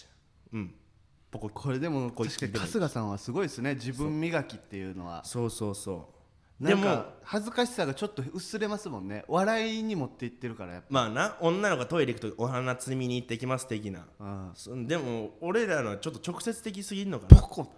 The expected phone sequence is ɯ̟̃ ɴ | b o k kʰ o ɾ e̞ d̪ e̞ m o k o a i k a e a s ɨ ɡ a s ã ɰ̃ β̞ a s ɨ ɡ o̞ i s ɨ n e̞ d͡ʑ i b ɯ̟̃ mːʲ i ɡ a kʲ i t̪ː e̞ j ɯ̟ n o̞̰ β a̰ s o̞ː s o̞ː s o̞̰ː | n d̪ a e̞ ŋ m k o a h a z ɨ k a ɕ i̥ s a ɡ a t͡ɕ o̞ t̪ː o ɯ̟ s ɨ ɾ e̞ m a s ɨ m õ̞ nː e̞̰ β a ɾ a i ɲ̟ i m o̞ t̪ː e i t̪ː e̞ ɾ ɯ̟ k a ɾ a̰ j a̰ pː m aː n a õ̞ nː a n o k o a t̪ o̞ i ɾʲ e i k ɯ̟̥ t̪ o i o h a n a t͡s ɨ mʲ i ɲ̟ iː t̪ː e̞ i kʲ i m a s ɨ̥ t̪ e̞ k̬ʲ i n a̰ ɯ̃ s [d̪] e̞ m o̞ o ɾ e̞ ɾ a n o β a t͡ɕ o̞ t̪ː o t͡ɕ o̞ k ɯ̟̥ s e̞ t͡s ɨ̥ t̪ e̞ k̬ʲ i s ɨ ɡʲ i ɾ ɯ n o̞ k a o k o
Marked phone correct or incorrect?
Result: correct